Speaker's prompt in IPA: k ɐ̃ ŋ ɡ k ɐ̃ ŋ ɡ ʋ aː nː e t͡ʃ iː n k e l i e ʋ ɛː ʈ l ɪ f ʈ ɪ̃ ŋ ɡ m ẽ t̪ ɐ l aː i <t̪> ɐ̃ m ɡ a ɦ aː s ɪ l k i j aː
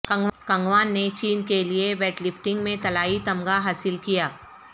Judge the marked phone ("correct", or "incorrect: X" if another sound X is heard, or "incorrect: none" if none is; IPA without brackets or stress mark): correct